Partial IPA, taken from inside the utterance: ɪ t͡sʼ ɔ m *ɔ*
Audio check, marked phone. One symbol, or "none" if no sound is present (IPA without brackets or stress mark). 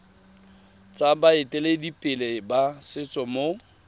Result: o